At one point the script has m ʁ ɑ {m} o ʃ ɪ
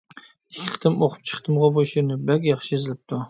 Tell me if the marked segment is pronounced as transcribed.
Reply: no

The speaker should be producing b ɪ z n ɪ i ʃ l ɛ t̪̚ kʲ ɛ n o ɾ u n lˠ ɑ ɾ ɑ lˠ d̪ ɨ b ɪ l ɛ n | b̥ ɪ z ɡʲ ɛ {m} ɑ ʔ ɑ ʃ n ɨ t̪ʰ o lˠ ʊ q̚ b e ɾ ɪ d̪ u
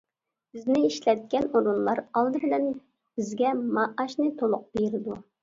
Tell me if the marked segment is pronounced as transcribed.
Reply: yes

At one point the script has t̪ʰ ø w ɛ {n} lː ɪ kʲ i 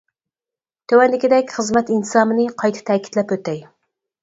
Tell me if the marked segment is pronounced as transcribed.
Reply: yes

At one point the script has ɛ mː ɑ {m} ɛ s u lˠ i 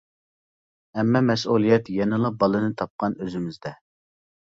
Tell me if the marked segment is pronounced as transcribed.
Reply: yes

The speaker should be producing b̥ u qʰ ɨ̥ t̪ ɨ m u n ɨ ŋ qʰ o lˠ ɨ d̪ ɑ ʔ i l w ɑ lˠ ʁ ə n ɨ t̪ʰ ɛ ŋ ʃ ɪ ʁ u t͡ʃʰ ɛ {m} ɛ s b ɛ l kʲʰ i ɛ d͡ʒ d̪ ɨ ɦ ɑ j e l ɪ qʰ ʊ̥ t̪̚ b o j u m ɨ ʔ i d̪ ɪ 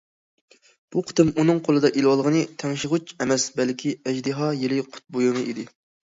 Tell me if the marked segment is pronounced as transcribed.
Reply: yes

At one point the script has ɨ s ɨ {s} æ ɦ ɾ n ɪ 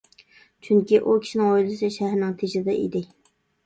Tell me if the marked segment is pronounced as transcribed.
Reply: no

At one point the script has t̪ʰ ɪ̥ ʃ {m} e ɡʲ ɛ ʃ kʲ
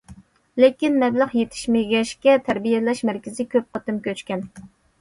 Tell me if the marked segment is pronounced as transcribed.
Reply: yes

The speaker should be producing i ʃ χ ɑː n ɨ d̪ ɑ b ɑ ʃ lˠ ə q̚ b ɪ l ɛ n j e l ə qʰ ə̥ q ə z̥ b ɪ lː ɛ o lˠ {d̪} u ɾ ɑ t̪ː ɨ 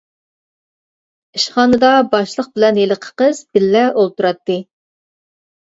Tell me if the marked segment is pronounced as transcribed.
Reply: no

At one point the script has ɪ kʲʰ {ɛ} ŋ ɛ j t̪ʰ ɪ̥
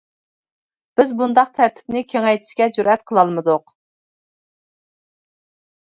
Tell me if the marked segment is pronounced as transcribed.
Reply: no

